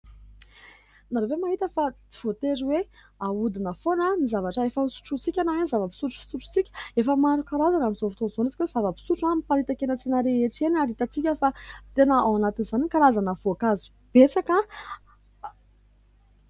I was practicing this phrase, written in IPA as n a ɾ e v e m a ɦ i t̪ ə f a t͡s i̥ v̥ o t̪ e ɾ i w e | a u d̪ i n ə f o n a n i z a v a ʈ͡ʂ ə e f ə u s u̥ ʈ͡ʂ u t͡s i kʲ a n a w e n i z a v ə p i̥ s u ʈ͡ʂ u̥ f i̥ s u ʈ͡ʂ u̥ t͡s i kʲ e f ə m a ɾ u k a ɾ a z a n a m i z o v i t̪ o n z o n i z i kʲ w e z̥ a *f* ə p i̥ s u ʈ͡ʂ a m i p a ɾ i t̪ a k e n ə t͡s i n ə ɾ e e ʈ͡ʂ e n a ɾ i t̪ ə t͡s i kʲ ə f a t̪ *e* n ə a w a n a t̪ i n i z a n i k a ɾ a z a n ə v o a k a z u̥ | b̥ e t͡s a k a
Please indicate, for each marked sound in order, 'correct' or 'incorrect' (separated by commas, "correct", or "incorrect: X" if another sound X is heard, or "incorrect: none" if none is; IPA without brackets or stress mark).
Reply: incorrect: v, correct